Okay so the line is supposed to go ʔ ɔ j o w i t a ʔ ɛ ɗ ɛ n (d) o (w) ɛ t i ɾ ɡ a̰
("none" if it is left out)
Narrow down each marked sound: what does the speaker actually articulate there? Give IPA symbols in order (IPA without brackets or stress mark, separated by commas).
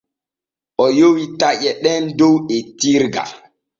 d, w